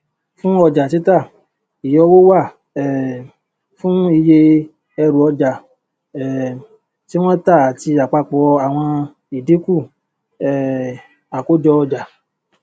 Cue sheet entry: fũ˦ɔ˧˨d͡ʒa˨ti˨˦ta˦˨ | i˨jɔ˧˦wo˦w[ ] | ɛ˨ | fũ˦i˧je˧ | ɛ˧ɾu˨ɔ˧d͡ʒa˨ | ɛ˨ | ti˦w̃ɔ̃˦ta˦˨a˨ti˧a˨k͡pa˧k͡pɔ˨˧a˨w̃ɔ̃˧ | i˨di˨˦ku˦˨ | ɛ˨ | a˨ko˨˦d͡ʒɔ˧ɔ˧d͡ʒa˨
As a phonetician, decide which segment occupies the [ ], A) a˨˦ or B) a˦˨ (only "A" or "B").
B